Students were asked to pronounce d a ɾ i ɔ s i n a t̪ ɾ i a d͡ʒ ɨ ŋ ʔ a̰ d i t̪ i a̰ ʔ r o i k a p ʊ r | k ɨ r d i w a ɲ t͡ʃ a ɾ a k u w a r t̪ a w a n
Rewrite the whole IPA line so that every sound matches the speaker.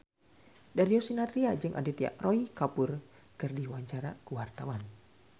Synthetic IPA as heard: d a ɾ i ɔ s i n a t̪ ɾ i a d͡ʒ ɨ ŋ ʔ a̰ d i t̪ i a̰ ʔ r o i k a p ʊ r | k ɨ r d i w a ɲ t͡ʃ a ɾ a k u w a r t̪ a w a n